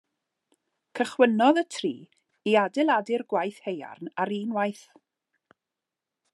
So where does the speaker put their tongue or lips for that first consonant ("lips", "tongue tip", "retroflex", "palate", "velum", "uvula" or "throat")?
velum